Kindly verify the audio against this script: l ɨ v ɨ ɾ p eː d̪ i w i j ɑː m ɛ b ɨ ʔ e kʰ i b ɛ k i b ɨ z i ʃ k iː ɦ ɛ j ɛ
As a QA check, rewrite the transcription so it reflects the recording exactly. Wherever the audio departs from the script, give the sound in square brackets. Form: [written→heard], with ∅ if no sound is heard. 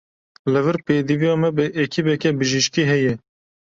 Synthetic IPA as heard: l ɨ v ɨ ɾ p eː d̪ i [w→v] i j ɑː m ɛ b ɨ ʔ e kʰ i b ɛ k [i→ɛ] b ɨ [z→ʒ] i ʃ k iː ɦ ɛ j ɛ